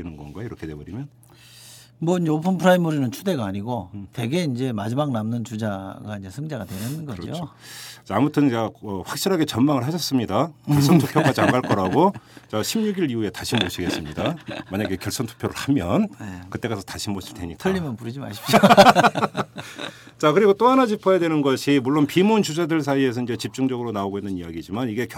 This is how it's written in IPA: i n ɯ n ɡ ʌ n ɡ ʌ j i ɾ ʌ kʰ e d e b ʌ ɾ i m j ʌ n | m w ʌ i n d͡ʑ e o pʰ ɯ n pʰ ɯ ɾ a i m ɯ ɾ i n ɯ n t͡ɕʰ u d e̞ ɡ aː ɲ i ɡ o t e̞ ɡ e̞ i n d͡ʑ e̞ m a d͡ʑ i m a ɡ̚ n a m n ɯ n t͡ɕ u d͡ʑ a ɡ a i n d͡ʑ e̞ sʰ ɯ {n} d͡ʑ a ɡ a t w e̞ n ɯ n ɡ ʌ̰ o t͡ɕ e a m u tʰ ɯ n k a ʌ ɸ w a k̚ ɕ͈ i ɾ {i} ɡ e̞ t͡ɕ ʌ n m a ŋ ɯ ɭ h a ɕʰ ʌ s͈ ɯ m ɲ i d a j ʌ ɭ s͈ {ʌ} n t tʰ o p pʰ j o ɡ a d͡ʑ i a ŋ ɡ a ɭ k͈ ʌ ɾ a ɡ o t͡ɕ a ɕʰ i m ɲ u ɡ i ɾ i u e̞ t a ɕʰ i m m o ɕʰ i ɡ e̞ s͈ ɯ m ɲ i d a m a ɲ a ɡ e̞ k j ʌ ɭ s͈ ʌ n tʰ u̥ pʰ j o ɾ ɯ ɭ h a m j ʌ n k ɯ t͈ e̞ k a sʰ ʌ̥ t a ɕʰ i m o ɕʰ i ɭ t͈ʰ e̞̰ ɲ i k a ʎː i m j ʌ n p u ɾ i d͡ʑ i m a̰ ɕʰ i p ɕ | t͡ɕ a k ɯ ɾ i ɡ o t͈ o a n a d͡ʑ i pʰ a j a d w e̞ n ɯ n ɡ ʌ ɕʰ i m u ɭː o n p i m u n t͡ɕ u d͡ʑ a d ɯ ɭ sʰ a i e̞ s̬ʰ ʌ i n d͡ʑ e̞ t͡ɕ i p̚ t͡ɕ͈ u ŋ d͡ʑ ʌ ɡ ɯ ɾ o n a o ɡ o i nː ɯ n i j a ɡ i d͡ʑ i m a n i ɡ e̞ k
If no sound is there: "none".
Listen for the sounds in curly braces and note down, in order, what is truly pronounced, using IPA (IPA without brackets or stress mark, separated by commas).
ŋ, a, ʌ